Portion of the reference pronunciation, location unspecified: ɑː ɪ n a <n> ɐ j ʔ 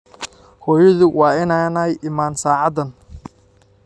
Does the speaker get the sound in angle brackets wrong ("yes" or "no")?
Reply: no